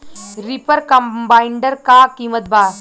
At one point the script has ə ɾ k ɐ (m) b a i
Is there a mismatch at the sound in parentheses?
no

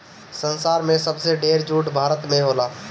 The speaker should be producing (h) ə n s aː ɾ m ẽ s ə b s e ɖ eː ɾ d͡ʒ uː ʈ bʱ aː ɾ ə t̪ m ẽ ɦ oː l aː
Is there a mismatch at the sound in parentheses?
yes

